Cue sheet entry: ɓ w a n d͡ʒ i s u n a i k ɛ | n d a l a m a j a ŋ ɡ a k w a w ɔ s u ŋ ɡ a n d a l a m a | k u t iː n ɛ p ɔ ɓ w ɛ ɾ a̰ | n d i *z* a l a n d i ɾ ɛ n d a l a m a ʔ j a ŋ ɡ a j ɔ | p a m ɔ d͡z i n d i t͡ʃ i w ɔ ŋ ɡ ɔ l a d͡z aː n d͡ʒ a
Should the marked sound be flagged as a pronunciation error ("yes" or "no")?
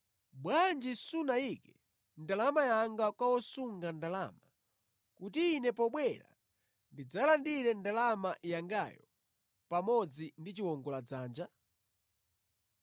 yes